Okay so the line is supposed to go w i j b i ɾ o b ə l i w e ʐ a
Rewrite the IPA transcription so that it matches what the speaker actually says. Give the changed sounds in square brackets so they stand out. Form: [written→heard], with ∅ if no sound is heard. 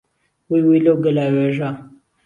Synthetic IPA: w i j [b→w] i [ɾ→l] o [b→ɡ] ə l [i→a] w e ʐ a